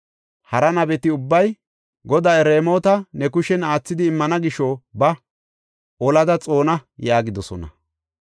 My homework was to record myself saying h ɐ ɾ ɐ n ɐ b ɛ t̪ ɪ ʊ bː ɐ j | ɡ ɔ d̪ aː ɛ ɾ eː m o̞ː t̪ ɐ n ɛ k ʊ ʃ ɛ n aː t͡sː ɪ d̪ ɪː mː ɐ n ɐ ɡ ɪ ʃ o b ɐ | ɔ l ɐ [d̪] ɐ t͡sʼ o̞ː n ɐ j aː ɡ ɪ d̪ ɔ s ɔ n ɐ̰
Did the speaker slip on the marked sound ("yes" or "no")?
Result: no